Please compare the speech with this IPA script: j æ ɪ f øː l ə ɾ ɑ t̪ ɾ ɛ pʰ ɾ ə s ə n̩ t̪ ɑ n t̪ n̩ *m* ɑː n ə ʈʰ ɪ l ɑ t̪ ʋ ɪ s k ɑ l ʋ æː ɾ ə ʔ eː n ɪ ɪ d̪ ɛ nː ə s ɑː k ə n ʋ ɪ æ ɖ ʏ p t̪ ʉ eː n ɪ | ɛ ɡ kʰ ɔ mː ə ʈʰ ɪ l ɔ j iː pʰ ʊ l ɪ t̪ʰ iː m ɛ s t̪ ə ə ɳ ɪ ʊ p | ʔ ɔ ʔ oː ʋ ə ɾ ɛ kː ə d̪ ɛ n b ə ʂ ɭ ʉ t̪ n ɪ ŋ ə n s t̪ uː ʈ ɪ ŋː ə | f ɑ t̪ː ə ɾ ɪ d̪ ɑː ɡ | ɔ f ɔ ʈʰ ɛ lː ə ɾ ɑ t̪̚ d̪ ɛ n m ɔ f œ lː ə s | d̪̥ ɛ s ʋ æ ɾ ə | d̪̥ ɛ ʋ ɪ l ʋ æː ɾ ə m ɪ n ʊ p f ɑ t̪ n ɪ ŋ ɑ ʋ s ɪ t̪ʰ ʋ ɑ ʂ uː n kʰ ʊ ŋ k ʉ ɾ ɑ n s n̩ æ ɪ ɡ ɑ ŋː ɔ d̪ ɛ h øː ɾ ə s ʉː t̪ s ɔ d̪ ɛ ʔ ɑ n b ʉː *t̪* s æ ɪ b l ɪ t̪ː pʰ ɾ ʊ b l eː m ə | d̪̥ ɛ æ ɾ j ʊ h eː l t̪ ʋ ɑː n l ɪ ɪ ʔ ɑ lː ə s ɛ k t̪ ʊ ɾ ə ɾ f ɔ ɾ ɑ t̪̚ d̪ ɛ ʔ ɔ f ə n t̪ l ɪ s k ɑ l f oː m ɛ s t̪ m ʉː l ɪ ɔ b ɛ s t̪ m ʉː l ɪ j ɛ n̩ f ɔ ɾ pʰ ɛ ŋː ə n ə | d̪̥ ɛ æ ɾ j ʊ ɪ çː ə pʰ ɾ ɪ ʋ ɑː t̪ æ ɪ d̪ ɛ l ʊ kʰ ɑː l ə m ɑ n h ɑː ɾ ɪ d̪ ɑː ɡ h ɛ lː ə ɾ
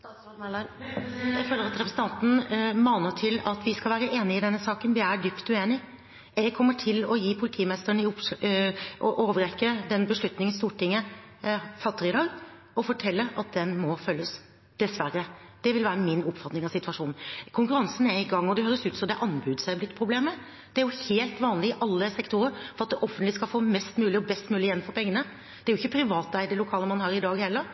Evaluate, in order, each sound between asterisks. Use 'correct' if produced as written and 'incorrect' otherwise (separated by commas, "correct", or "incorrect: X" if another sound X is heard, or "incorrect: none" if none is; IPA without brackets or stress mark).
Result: correct, incorrect: d̪